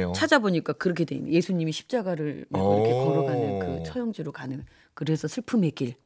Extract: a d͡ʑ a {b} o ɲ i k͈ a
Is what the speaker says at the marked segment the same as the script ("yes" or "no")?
yes